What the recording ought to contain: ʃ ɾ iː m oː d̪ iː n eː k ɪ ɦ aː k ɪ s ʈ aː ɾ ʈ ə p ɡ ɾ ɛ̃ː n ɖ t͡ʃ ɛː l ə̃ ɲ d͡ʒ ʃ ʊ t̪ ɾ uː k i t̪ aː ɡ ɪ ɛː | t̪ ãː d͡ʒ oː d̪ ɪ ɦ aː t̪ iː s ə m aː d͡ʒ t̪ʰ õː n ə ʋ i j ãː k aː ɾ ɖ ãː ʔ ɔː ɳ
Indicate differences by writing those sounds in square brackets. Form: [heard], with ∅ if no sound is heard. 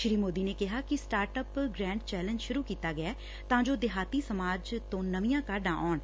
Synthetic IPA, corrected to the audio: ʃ ɾ iː m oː d̪ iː n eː k ɪ ɦ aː k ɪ s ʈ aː ɾ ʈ ə p ɡ ɾ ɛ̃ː [ɳ] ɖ t͡ʃ ɛː l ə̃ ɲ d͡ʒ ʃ ʊ [∅] ɾ uː k [iː] t̪ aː ɡ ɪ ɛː | t̪ ãː d͡ʒ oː d̪ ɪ ɦ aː t̪ iː s ə m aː d͡ʒ [t̪] õː n ə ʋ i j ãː k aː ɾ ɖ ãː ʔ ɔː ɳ